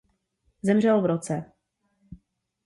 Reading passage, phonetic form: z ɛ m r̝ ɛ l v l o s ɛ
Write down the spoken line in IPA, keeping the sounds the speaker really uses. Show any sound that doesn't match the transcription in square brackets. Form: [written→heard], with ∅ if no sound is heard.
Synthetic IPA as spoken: z ɛ m r̝ ɛ l v [l→ɾ] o [s→t͡s] ɛ